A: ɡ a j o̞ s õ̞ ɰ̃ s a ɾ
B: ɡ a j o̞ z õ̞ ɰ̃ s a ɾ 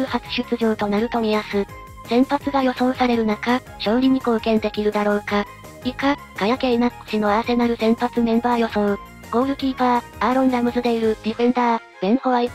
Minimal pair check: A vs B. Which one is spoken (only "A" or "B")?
A